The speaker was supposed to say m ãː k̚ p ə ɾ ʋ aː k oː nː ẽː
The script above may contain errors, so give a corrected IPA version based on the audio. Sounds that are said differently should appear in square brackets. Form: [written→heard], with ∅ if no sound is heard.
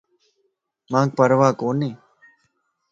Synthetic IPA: m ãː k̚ p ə ɾ ʋ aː k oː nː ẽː